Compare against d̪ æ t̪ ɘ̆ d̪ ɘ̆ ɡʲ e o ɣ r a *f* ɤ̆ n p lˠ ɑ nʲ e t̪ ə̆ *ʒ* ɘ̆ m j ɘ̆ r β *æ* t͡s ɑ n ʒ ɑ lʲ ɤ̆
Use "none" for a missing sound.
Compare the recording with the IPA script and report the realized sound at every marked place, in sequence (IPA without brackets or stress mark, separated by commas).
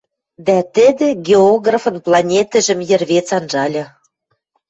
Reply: f, ʒ, e